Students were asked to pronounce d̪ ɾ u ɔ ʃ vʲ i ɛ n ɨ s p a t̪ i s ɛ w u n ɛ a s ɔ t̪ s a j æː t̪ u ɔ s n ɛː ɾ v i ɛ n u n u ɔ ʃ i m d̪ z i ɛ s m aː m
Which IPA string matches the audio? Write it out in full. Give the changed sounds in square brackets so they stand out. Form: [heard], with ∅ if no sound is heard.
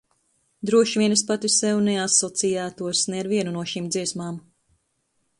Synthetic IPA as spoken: d̪ ɾ u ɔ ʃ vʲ i ɛ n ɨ s p a t̪ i s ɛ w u n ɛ a s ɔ t̪ s [i] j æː t̪ u ɔ s n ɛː ɾ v i ɛ n u n u ɔ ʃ i m d̪ z i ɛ s m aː m